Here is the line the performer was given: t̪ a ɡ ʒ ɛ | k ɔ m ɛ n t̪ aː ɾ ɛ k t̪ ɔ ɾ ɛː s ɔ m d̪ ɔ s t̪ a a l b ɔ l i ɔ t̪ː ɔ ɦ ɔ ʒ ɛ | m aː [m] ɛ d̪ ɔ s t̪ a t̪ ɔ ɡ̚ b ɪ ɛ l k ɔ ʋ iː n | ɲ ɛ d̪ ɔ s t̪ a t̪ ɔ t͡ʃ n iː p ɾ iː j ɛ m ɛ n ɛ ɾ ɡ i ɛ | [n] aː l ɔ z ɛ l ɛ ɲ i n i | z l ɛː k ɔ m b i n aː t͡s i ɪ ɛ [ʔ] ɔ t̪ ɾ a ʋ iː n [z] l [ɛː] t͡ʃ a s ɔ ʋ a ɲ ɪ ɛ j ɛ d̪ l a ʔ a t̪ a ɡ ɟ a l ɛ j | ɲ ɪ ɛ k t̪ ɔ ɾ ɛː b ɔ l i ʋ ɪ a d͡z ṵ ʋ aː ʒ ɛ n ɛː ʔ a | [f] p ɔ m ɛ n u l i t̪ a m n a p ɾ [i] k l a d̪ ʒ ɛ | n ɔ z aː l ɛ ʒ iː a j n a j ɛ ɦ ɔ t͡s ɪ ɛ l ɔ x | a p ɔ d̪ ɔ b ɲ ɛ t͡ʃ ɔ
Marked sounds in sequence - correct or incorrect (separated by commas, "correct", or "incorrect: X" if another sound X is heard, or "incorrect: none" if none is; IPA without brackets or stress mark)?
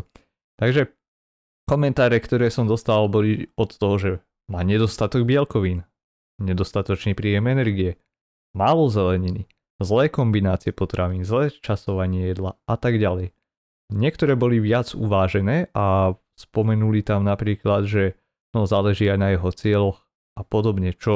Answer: incorrect: ɲ, incorrect: m, incorrect: p, correct, correct, incorrect: s, incorrect: iː